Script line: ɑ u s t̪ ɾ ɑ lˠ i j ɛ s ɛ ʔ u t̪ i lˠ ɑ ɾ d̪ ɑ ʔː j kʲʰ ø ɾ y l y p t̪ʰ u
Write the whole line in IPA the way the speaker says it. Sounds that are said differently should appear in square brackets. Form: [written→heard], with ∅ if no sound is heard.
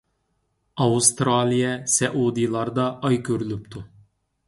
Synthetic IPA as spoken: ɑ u s t̪ ɾ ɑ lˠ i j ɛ s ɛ ʔ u [t̪→d̪] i lˠ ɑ ɾ d̪ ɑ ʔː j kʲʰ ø ɾ y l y p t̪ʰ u